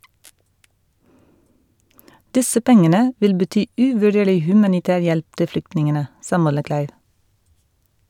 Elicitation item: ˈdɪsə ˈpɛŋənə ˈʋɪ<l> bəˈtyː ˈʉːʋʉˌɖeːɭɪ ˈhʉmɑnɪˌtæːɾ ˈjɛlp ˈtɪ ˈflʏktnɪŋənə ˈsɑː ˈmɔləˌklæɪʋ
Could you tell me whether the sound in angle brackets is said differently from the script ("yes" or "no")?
no